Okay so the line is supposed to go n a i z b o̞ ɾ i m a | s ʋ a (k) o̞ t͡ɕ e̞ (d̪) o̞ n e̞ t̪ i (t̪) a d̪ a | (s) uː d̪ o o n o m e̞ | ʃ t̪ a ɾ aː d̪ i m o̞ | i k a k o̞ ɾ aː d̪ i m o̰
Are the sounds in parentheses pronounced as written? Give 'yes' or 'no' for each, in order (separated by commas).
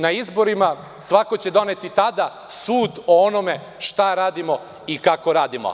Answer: yes, yes, yes, yes